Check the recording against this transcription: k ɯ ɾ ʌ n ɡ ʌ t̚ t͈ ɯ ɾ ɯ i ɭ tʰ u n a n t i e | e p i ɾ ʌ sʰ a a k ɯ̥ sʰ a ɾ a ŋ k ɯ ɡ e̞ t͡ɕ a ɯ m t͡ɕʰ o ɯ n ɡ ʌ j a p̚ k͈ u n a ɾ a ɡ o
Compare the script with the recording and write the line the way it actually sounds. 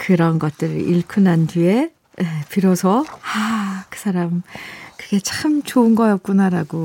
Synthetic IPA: k ɯ ɾ ʌ n ɡ ʌ t̚ t͈ ɯ ɾ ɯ i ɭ kʰ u n a n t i e | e p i ɾ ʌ sʰ ʌ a k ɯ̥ sʰ a ɾ a m k ɯ ɡ e̞ t͡ɕ a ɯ m t͡ɕ o ɯ n ɡ ʌ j ʌ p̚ k͈ u n a ɾ a ɡ o